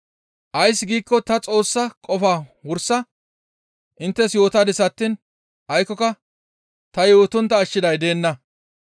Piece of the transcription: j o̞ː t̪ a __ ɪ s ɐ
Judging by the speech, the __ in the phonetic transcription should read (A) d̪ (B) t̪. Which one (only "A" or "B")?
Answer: A